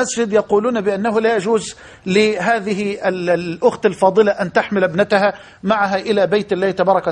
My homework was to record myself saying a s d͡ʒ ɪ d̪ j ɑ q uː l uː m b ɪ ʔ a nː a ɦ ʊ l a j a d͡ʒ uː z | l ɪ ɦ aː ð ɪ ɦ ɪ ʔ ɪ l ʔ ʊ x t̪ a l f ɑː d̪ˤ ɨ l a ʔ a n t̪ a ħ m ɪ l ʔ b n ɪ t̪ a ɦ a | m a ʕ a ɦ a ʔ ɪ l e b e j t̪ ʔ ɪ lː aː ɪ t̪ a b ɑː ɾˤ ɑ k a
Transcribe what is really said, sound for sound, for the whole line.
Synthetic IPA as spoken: a s d͡ʒ ɪ d̪ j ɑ q uː l uː n b ɪ ʔ a nː a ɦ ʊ l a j a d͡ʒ uː z | l ɪ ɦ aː ð ɪ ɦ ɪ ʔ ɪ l ʔ ʊ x t̪ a l f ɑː d̪ˤ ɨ l a ʔ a n t̪ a ħ m ɪ l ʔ b n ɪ t̪ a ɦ a | m a ʕ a ɦ a ʔ ɪ l a b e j t̪ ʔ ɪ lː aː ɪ t̪ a b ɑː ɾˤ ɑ k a